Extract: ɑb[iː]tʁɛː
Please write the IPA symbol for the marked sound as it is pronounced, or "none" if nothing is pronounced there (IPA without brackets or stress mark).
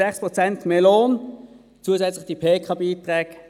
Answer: iː